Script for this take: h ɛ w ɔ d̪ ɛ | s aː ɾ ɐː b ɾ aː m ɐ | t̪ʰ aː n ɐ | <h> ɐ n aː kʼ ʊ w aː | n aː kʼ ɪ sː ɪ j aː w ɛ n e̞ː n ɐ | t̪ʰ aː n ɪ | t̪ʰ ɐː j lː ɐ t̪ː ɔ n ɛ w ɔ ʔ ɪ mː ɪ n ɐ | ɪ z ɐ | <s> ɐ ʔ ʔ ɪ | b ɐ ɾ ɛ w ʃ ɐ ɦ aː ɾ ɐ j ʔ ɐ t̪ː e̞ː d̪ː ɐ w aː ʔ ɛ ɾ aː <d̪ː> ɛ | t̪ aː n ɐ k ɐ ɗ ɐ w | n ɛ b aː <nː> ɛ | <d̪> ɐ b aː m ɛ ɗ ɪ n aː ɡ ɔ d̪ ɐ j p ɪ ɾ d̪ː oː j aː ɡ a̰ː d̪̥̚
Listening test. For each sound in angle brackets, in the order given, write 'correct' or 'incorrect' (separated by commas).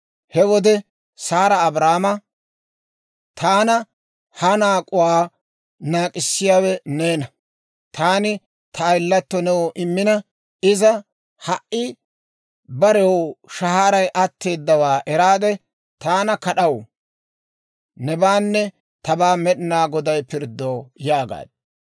correct, incorrect, incorrect, correct, incorrect